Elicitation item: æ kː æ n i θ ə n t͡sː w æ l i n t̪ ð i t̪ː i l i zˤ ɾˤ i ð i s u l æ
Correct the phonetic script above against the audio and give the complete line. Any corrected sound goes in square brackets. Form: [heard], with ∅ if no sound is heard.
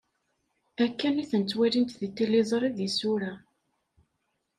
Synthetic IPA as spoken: æ kː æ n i θ ə n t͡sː w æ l i n t̪ ð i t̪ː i l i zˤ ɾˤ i ð i s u [ɾ] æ